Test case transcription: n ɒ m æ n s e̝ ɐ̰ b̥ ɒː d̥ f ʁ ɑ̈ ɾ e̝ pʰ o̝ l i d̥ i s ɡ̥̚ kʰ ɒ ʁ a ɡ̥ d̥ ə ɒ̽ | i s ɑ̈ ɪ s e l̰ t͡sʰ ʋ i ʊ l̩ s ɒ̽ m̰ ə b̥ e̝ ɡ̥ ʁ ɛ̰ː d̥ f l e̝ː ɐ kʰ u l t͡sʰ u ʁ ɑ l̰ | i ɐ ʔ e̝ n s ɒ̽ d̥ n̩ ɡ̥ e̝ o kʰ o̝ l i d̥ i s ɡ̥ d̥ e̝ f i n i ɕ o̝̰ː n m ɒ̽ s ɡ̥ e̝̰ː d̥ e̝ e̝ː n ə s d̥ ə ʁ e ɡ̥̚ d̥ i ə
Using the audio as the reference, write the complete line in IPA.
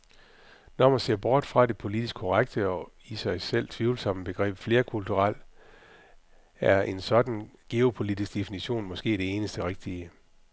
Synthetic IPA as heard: n ɒ m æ n s e̝ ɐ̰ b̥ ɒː d̥ f ʁ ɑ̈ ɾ e̝ pʰ o̝ l i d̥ i s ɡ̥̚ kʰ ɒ ʁ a ɡ̥ d̥ ə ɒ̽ | i s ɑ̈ ɪ s e l̰ t͡sʰ ʋ i ʊ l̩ s ɒ̽ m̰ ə b̥ e̝ ɡ̥ ʁ ɛ̰ː b̥ f l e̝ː ɐ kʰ u l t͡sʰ u ʁ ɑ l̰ | æ ɐ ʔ e̝ n s ɒ̽ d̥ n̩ ɡ̥ e̝ o pʰ o̝ l i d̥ i s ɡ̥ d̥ e̝ f i n i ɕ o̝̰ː n m ɒ̽ s ɡ̥ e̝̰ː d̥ e̝ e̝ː n ə s d̥ ə ʁ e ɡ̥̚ d̥ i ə